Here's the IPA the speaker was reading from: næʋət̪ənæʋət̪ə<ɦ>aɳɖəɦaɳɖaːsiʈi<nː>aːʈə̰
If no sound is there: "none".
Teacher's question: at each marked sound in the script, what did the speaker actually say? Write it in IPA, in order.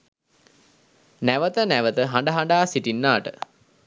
ɦ, nː

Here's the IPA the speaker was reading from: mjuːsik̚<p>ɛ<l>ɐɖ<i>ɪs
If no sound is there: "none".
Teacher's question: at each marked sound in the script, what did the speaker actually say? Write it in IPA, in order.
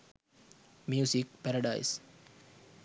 p, ɾ, a

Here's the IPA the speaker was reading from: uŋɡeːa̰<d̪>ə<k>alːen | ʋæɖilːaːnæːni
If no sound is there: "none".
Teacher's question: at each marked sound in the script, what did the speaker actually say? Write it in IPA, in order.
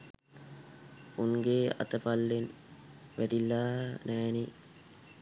t̪, p

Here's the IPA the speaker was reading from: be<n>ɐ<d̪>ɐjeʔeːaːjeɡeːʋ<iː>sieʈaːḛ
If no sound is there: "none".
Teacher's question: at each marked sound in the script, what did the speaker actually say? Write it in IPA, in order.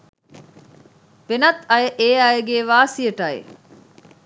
n, t̪, aː

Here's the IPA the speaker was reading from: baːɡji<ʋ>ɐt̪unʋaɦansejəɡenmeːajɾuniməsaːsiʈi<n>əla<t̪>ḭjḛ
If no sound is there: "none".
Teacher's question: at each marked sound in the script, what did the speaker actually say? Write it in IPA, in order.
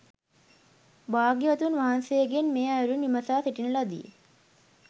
ʋ, n, d̪

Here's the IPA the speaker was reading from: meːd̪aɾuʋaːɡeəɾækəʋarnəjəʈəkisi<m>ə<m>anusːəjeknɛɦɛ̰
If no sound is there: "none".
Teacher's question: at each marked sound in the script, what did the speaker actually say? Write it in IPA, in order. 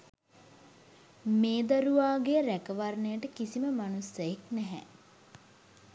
m, m

